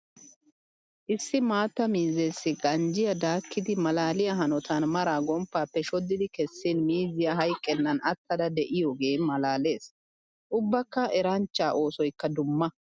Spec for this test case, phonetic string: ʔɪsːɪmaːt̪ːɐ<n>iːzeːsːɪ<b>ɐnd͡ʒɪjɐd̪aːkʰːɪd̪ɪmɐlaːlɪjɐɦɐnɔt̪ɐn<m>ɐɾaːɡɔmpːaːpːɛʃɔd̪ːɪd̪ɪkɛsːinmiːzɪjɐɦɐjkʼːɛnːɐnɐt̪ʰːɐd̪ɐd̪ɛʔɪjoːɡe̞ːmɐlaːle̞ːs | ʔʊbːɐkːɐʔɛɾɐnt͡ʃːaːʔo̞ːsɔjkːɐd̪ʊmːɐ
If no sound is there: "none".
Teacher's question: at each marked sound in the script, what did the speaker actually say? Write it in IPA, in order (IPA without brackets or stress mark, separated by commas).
m, ɡ, m